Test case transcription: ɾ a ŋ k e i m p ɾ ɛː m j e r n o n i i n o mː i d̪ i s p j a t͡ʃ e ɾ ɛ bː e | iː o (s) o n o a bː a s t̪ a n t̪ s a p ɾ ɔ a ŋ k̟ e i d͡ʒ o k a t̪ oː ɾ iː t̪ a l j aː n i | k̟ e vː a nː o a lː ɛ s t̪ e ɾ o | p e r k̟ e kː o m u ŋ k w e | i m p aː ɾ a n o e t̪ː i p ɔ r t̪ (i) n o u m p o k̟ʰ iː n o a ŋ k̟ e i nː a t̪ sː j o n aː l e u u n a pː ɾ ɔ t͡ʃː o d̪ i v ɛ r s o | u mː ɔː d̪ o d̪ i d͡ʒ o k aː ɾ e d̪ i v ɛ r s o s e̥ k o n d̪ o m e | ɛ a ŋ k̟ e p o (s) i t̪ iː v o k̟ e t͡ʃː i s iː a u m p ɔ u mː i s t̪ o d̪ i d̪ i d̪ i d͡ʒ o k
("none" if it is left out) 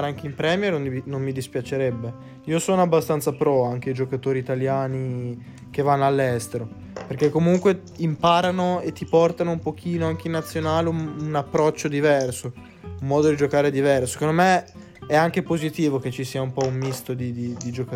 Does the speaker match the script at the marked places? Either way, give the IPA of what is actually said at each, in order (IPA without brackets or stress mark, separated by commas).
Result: s, a, z